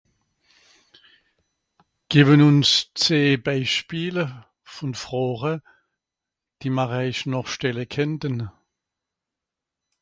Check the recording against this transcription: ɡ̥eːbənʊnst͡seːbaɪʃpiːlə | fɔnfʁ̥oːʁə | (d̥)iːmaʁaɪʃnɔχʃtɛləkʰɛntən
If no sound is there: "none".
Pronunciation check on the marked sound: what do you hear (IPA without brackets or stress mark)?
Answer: d̥